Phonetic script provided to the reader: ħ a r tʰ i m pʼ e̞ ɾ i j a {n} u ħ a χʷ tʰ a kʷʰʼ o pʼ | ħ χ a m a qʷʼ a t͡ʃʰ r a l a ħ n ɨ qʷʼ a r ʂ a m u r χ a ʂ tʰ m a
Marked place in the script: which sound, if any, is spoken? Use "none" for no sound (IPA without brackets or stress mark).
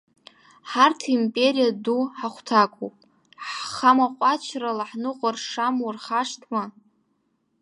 d